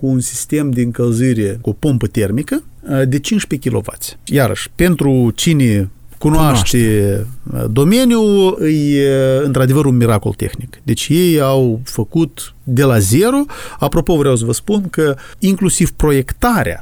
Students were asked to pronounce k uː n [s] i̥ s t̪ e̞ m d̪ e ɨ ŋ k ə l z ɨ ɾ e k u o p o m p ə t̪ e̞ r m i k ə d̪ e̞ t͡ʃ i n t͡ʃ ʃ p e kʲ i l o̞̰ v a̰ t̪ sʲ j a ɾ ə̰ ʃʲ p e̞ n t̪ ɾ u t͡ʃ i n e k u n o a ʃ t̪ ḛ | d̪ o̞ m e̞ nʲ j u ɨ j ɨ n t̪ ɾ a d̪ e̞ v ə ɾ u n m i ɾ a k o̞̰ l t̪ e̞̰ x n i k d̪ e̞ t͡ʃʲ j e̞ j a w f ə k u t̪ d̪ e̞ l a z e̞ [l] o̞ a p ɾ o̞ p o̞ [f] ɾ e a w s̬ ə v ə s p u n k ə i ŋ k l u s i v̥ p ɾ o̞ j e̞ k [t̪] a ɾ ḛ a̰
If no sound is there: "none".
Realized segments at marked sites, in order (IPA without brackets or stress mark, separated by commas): s, ɾ, v, t̪